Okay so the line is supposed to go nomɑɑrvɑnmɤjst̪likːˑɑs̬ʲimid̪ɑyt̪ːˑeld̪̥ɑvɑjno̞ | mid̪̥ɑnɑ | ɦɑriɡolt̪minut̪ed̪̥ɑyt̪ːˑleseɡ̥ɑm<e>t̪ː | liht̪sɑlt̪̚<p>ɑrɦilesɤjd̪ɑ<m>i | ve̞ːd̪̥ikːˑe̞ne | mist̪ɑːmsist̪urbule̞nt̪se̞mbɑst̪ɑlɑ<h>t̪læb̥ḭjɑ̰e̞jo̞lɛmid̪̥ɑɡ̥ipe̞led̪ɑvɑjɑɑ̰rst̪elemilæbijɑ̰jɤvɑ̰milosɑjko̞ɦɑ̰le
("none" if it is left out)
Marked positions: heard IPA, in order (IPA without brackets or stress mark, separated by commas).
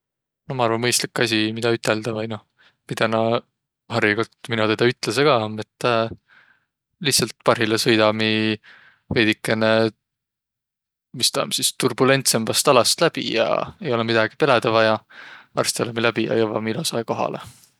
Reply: e, p, m, s